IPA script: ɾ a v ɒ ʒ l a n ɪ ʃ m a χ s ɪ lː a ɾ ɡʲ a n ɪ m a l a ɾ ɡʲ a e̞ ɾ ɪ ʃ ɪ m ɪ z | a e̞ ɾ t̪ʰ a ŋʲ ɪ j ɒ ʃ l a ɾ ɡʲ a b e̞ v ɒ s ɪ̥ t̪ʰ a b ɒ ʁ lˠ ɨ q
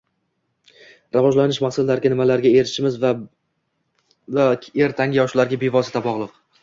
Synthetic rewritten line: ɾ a v ɒ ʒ l a n ɪ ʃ m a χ s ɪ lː a ɾ ɡʲ a n ɪ m a l a ɾ ɡʲ a e̞ ɾ ɪ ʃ ɪ m ɪ z | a e̞ ɾ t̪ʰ a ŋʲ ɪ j ɒ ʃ l a ɾ ɡʲ a b e̞ v ɒ s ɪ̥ t̪ʰ a b ɒ ʁ lˠ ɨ q